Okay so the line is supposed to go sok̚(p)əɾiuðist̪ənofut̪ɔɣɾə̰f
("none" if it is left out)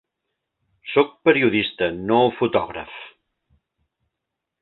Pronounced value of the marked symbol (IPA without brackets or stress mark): p